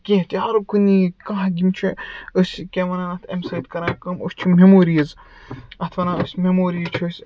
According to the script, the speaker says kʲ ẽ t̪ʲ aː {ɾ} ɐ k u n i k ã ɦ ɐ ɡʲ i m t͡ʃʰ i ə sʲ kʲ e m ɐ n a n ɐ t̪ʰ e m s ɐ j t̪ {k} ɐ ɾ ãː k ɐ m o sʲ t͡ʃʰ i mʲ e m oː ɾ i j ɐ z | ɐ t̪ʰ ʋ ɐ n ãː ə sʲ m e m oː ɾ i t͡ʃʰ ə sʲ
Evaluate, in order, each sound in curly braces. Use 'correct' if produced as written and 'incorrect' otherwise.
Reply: correct, correct

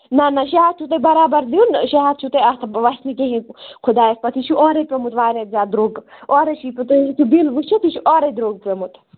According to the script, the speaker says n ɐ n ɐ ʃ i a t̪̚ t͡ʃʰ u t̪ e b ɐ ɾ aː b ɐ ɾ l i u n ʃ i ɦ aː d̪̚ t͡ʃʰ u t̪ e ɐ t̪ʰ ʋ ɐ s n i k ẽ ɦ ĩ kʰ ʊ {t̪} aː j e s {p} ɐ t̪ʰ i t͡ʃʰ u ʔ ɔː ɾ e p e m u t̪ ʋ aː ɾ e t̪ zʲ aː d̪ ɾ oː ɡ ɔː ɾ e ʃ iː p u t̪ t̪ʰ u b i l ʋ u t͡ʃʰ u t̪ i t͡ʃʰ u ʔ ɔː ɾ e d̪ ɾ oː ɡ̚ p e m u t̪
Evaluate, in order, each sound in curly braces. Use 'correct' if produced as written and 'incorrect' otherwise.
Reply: incorrect, correct

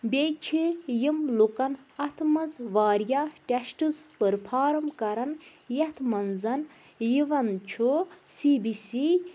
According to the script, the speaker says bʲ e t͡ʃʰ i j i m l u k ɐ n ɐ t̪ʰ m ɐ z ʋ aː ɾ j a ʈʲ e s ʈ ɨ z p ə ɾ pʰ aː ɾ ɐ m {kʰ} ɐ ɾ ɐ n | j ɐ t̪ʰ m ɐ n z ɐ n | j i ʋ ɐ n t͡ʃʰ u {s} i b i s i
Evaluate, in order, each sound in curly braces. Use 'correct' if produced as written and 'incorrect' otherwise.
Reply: incorrect, correct

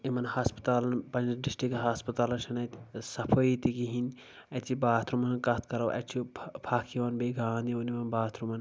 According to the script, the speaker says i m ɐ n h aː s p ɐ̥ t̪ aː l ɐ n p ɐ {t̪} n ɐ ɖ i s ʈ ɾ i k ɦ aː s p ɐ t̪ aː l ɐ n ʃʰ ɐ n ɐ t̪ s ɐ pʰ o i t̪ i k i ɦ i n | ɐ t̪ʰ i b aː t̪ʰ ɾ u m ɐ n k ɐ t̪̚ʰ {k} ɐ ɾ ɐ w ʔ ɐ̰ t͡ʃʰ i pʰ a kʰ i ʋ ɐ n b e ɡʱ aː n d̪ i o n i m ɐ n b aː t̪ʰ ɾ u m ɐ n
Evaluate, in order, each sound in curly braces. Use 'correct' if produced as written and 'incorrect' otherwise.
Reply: incorrect, correct

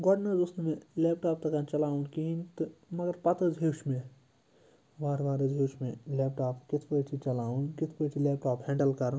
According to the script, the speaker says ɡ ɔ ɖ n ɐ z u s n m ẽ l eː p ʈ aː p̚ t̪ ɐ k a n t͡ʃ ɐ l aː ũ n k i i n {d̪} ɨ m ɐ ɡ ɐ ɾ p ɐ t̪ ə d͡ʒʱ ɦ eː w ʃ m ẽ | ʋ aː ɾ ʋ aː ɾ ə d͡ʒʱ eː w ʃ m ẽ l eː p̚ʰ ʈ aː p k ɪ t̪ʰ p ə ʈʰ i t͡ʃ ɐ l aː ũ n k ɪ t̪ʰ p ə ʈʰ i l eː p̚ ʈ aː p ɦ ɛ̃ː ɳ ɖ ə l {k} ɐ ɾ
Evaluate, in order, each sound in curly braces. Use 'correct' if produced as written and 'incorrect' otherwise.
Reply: incorrect, correct

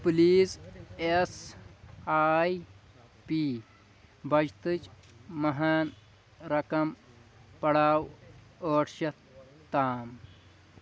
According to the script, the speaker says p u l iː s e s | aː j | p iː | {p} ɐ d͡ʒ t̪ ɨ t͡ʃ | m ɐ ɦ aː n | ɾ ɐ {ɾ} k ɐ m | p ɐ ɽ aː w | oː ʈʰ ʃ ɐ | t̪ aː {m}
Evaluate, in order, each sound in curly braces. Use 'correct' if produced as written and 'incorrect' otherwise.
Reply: incorrect, incorrect, correct

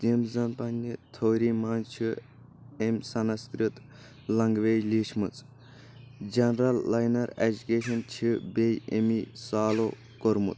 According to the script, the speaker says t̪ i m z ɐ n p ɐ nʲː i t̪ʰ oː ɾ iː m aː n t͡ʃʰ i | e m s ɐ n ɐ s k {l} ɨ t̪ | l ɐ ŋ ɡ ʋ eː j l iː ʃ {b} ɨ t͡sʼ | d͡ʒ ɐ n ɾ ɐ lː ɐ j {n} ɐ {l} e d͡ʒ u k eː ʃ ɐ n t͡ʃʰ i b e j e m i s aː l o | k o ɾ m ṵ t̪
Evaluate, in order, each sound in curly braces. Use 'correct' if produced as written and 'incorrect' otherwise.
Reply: incorrect, incorrect, correct, incorrect

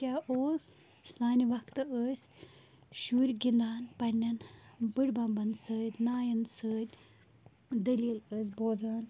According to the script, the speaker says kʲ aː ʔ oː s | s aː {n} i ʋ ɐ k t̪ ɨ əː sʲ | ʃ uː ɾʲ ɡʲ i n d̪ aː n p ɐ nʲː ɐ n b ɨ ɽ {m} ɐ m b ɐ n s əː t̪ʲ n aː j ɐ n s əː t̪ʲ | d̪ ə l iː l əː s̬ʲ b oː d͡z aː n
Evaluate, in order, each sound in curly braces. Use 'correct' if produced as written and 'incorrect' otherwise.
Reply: correct, incorrect

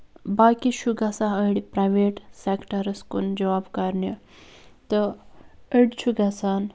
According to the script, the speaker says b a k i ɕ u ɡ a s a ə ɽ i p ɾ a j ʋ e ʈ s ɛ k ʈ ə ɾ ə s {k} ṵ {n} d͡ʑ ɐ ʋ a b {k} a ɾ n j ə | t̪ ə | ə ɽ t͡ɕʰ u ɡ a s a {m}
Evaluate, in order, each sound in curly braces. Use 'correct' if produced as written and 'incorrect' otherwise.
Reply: correct, correct, correct, incorrect

